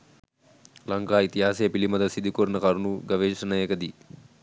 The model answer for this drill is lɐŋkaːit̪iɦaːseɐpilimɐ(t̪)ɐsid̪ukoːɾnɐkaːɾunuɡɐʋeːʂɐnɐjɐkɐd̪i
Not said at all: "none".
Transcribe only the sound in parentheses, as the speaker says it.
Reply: d̪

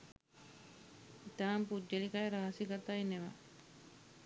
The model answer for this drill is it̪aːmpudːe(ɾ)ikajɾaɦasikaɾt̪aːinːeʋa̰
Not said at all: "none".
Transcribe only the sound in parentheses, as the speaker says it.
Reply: l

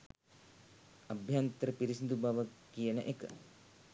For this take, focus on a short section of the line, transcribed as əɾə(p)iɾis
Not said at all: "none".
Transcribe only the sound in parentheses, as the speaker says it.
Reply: p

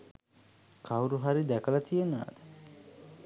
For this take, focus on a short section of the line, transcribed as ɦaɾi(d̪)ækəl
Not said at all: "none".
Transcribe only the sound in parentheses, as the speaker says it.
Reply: d̪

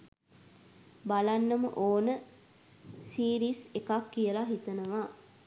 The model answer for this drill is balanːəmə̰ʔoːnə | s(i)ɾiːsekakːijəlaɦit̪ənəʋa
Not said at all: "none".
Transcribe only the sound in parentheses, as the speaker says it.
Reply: iː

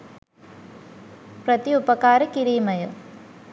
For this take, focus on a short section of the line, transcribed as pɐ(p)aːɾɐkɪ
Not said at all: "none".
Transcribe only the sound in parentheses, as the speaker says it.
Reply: k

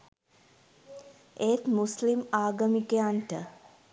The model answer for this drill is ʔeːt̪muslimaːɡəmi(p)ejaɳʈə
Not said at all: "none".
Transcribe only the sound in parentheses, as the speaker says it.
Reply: k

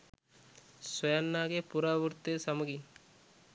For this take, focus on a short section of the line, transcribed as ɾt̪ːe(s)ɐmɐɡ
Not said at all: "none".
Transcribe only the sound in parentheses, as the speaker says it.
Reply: s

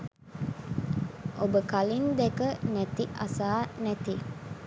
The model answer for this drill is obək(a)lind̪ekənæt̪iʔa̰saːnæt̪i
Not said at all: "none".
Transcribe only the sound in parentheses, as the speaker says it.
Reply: a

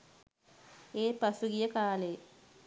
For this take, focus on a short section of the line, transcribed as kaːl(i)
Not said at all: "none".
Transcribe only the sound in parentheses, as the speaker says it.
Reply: e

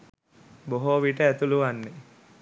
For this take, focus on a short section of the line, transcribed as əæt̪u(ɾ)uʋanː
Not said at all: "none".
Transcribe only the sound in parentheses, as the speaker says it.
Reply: l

